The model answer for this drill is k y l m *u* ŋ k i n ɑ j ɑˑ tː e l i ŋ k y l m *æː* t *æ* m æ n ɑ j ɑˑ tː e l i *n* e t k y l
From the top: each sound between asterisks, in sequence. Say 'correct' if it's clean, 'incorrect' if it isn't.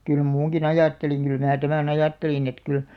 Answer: incorrect: uː, correct, correct, correct

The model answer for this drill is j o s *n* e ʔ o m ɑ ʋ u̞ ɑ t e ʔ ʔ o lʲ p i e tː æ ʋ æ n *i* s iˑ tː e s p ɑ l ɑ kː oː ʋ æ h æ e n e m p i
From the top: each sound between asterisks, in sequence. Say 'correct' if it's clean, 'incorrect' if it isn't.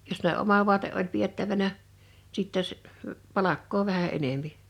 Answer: correct, incorrect: æ

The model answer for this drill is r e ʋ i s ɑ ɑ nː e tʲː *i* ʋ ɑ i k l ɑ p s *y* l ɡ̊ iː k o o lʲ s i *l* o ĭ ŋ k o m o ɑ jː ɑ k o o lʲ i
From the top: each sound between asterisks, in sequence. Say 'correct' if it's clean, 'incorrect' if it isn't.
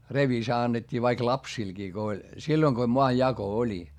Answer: incorrect: iː, incorrect: i, incorrect: lː

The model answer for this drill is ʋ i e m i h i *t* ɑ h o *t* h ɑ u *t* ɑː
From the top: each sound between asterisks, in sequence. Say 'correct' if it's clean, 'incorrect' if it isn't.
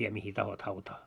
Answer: correct, correct, correct

